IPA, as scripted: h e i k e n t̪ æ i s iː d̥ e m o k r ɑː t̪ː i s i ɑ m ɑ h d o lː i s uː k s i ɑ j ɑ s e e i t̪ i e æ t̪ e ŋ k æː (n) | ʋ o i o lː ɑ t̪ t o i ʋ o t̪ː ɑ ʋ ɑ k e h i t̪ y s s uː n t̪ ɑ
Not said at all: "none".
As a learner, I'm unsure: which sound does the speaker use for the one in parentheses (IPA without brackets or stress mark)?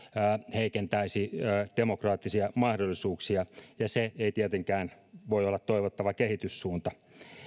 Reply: n